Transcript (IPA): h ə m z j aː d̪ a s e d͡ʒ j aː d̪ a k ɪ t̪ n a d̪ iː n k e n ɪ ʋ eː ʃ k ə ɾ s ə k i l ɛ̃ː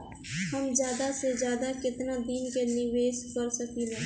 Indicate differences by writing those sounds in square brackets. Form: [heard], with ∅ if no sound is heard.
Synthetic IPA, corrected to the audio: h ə m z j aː d̪ a s e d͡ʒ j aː d̪ a k ɪ t̪ n a d̪ iː n k e n ɪ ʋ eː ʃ k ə ɾ s ə k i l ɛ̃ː